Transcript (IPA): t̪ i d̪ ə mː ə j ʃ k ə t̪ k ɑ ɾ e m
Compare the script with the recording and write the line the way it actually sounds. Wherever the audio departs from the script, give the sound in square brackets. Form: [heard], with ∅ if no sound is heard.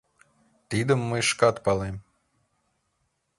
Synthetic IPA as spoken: t̪ i d̪ ə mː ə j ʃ k [ɑ] t̪ [p] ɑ [l] e m